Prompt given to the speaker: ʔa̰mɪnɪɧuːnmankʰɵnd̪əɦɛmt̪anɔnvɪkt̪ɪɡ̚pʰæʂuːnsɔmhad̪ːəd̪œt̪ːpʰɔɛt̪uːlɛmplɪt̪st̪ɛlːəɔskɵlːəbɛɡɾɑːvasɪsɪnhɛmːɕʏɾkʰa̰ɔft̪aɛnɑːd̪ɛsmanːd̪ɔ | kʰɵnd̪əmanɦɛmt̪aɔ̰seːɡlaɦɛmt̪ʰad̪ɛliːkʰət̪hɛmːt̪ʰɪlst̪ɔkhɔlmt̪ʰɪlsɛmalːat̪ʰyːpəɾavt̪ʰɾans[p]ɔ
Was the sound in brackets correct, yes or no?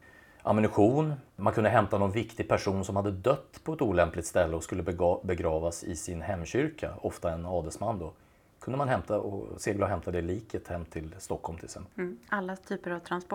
yes